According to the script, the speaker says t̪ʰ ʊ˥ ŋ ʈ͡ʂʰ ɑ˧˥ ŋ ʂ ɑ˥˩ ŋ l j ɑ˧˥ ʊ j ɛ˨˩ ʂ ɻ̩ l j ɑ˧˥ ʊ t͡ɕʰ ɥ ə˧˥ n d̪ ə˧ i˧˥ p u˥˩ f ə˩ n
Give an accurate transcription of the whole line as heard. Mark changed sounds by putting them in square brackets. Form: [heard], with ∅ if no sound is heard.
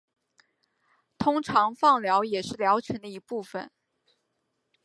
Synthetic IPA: t̪ʰ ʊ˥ ŋ ʈ͡ʂʰ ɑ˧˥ ŋ [f] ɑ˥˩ ŋ l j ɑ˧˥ ʊ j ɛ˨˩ ʂ ɻ̩ l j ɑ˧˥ ʊ t͡ɕʰ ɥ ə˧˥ n d̪ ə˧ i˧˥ p u˥˩ f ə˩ n